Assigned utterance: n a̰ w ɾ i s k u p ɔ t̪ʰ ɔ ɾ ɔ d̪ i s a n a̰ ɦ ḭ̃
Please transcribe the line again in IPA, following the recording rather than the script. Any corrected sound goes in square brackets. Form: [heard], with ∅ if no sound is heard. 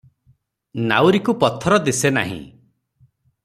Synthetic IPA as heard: n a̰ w ɾ i [∅] k u p ɔ t̪ʰ ɔ ɾ ɔ d̪ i s [e] n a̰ ɦ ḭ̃

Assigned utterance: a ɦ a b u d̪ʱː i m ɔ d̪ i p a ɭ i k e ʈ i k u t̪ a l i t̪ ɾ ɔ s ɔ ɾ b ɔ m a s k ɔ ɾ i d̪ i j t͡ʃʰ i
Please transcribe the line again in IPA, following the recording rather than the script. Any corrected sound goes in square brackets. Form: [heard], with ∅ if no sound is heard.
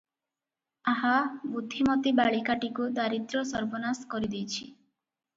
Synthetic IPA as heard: a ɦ a b u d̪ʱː i m ɔ [t̪] i [b] a ɭ i k [a] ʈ i k u [d̪] a [ɾ] i t̪ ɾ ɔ s ɔ ɾ b ɔ [n] a s k ɔ ɾ i d̪ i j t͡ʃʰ i

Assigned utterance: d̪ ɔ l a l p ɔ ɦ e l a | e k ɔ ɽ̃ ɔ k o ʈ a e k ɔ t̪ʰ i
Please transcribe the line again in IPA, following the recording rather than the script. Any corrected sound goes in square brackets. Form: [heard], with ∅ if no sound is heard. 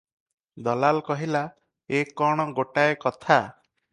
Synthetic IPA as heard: d̪ ɔ l a l [k] ɔ ɦ [i] l a | e k ɔ ɽ̃ ɔ [ɡ] o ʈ a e k ɔ t̪ʰ [a]

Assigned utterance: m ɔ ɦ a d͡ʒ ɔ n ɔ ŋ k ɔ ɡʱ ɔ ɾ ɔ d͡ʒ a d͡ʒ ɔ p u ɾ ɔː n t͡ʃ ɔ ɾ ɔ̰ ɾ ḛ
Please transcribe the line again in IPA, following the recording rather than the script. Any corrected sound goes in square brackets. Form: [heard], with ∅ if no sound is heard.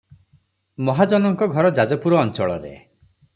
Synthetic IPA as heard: m ɔ ɦ a d͡ʒ ɔ n ɔ ŋ k ɔ ɡʱ ɔ ɾ ɔ d͡ʒ a d͡ʒ ɔ p u ɾ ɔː n t͡ʃ ɔ [ɭ] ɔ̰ ɾ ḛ

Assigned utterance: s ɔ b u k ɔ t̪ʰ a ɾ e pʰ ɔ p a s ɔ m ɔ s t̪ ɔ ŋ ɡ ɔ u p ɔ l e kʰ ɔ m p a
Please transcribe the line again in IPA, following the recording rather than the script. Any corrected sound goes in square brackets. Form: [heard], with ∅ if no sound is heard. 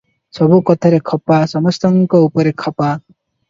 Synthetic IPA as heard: s ɔ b u k ɔ t̪ʰ a ɾ e [kʰ] ɔ p a s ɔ m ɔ s t̪ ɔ ŋ [k] ɔ u p ɔ [ɾ] e kʰ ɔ [∅] p a

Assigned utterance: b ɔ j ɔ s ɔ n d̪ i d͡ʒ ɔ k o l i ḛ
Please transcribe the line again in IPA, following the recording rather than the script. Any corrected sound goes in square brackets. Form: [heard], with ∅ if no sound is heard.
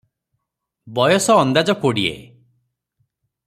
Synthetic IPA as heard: b ɔ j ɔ s [ɔː] n d̪ [a] d͡ʒ ɔ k o [ɽ] i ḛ

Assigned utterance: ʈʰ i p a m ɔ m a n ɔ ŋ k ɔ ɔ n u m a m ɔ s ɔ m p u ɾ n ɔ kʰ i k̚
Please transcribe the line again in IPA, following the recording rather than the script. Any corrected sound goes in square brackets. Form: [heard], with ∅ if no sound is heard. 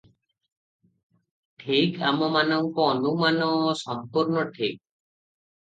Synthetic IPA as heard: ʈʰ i [k] a m ɔ m a n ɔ ŋ k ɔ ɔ n u m a [n] ɔ s ɔ m p u ɾ n ɔ [ʈʰ] i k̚

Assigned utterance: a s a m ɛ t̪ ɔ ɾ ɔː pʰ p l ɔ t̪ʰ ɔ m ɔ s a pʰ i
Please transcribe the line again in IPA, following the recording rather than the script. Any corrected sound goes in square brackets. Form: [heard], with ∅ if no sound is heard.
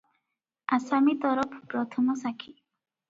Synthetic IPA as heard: a s a m [i] t̪ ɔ ɾ [ɔ] pʰ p [ɾ] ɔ t̪ʰ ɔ m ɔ s a [kʰ] i

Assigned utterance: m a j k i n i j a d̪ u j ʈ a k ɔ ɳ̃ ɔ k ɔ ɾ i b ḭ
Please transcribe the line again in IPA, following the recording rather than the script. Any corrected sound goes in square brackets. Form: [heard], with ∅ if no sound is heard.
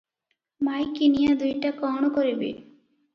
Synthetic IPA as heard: m a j k i n i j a d̪ u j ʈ a k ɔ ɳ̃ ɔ k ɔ ɾ i b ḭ

